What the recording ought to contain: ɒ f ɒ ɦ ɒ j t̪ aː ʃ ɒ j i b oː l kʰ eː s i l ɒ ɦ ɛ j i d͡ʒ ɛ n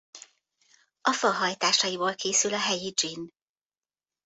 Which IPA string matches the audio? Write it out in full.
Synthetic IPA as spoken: ɒ f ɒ ɦ ɒ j t̪ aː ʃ ɒ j i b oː l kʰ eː s y l ɒ ɦ ɛ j i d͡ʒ i n